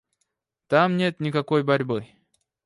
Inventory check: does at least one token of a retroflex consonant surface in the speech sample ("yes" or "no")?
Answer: no